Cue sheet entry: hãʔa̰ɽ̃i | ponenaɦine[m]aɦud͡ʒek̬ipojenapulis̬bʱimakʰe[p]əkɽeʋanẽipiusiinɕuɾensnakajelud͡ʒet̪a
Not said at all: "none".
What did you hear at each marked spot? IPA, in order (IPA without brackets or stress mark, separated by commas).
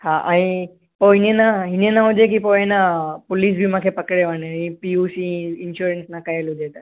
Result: n, p